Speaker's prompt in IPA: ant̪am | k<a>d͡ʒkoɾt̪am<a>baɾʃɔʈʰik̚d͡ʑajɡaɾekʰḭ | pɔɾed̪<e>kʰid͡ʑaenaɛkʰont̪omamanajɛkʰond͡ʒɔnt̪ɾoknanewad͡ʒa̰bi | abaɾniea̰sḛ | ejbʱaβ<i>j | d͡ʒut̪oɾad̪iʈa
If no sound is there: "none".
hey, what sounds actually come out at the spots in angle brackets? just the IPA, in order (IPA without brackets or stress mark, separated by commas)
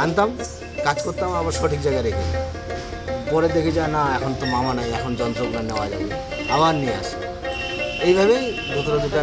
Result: a, a, e, e